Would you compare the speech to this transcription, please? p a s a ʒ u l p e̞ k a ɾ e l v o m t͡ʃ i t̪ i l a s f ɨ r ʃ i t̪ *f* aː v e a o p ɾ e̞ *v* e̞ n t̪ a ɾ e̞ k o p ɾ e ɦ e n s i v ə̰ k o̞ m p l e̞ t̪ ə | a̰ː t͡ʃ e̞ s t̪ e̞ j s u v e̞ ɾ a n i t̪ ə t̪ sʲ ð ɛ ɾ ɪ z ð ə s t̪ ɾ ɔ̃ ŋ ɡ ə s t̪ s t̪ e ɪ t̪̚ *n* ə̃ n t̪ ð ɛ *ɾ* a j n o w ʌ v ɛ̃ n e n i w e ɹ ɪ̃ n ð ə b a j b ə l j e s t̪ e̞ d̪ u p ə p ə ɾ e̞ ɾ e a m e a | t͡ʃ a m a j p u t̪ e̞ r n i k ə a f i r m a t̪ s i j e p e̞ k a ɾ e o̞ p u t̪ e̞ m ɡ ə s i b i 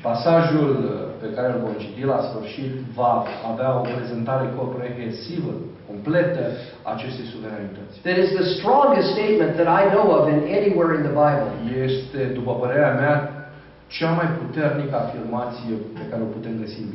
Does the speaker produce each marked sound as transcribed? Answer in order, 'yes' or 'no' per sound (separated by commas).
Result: no, no, no, yes